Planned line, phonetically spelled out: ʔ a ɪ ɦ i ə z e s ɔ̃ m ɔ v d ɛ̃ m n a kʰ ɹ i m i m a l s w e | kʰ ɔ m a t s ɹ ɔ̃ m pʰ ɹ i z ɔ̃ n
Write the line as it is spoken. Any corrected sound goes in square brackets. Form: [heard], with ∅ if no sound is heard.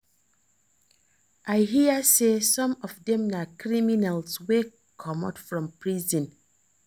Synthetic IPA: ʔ a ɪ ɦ i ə [s] e s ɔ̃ m ɔ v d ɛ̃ m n a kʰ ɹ i m i [n] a l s w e | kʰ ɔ m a t [f] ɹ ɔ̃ m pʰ ɹ i z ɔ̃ n